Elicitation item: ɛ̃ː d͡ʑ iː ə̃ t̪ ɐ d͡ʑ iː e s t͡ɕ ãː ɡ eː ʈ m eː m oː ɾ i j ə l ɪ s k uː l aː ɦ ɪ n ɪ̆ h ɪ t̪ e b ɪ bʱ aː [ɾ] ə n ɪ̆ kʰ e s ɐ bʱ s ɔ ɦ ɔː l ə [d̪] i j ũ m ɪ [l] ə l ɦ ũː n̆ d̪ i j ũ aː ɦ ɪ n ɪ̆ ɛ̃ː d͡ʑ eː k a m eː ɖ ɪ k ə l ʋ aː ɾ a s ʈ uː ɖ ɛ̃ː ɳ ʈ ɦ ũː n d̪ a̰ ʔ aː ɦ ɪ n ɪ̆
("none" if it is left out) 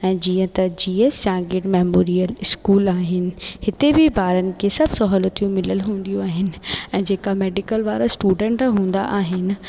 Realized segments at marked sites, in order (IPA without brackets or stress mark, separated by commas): ɾ, t̪, l